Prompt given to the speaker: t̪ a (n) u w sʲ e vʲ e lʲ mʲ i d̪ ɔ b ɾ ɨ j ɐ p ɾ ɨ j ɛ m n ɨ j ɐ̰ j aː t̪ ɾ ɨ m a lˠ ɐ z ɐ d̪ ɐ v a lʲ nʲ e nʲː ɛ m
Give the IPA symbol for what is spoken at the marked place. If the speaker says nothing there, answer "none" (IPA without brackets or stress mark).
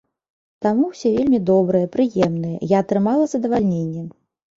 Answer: m